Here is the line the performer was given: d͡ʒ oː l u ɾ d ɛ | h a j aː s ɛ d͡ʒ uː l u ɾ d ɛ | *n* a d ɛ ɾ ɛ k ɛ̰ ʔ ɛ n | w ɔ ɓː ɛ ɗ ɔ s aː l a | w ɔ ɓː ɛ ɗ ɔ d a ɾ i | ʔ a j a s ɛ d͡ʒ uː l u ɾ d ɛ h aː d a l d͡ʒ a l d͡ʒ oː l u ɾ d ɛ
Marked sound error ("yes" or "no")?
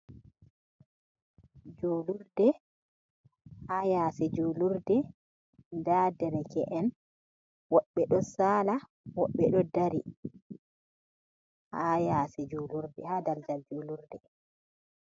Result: yes